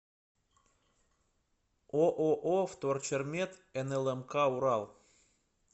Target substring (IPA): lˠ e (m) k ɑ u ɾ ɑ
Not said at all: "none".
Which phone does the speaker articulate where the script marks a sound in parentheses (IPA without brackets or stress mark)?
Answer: m